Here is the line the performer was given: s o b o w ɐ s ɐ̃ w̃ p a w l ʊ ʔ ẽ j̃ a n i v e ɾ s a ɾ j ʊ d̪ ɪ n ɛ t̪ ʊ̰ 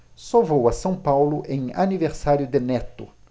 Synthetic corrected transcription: s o v o w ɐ s ɐ̃ w̃ p a w l ʊ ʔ ẽ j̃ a n i v e ɾ s a ɾ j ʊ d̪ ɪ n ɛ t̪ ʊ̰